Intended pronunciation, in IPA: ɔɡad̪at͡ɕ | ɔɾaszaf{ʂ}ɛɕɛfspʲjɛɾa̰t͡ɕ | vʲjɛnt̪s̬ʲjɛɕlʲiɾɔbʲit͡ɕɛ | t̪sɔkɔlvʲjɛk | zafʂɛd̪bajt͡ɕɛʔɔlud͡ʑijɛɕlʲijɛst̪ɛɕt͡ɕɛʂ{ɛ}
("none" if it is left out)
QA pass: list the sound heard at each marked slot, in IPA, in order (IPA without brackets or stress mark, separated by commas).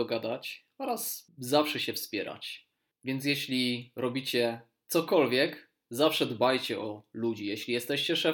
ʂ, ɛ